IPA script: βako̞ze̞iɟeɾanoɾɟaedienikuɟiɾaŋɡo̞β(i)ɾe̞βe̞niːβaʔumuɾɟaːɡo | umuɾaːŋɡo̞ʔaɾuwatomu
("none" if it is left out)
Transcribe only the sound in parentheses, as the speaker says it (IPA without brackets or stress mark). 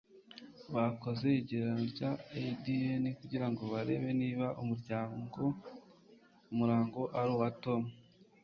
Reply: a